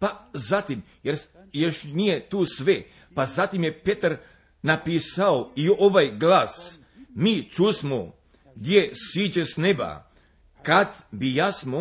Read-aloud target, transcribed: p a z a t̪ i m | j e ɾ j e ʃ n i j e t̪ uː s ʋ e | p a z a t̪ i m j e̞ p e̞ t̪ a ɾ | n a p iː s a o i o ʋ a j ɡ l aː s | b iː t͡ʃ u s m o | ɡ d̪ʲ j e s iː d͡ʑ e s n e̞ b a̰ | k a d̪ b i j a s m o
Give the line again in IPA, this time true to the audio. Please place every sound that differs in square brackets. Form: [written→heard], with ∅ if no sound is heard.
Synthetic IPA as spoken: p a z a t̪ i m | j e ɾ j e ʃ n i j e t̪ uː s ʋ e | p a z a t̪ i m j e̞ p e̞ t̪ a ɾ | n a p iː s a o i o ʋ a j ɡ l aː s | [b→m] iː t͡ʃ u s m o | ɡ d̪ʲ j e s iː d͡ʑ e s n e̞ b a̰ | k a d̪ b i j a s m o